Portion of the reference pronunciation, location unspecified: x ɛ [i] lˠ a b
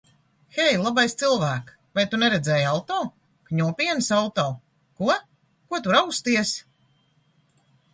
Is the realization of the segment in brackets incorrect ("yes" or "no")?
yes